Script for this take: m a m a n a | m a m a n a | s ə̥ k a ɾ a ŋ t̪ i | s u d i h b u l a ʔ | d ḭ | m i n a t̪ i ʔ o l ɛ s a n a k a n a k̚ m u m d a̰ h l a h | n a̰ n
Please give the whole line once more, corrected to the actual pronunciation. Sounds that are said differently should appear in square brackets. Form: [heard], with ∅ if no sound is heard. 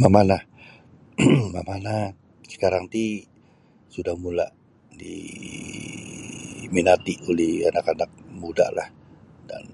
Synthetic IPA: m a m a n a | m a m a n a | s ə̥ k a ɾ a ŋ t̪ i | s u d [a] h [m] u l a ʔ | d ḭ | m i n a t̪ i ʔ o l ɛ [h] a n a k a n a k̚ m u [∅] d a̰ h l a h | [d] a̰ n

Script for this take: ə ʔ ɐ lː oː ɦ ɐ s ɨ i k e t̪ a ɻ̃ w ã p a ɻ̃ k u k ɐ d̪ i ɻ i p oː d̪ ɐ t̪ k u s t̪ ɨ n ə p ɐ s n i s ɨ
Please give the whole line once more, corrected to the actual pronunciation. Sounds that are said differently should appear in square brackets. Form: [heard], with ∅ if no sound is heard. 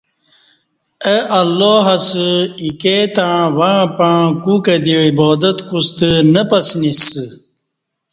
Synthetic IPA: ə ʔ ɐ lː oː ɦ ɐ s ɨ i k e t̪ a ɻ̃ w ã p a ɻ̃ k u k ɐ d̪ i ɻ i [b] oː d̪ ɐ t̪ k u s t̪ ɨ n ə p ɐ s n i s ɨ

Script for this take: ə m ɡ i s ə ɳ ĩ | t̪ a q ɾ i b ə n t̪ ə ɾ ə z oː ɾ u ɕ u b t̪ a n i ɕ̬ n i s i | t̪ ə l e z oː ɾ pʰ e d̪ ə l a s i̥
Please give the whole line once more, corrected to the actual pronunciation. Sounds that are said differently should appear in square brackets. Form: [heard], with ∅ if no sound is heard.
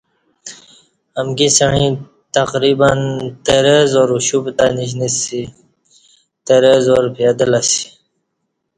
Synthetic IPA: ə m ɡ i s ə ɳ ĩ | t̪ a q ɾ i b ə n t̪ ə ɾ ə z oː ɾ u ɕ u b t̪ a n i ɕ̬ n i s i | t̪ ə [ɾ] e z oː ɾ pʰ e d̪ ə l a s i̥

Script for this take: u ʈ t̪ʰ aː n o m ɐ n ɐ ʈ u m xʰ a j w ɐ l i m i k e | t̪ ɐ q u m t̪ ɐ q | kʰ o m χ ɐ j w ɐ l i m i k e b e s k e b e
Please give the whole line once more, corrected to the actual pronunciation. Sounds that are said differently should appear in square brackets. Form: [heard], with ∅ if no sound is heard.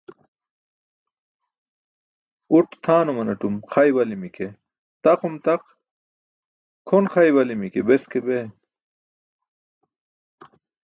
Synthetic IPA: u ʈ t̪ʰ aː n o m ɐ n ɐ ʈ u m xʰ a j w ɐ l i m i k e | t̪ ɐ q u m t̪ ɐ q | kʰ o [n] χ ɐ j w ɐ l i m i k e b e s k e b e

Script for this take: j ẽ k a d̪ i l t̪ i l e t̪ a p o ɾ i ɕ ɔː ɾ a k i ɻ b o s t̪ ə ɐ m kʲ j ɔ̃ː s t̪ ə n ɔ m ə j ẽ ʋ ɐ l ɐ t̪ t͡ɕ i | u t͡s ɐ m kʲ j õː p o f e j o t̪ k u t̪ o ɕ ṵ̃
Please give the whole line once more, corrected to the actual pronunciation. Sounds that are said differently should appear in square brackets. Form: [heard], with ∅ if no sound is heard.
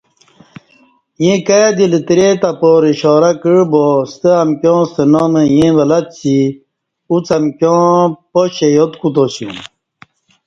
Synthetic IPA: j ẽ k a d̪ i l t̪ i [ɾ] e t̪ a p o ɾ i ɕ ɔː ɾ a k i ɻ b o s t̪ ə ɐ m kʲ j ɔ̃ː s t̪ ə n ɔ m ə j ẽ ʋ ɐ l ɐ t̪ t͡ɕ i | u t͡s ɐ m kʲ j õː p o [ɕ] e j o t̪ k u t̪ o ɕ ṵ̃

